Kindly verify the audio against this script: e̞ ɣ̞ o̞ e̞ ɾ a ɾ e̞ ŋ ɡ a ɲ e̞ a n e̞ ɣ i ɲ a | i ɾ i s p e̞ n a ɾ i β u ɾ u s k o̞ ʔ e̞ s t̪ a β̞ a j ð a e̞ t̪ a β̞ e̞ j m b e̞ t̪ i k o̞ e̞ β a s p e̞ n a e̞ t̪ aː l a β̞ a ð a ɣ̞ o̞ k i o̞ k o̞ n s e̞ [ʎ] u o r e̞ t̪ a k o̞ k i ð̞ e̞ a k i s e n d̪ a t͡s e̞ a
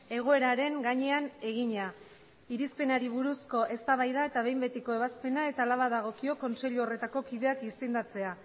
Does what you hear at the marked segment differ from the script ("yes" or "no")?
no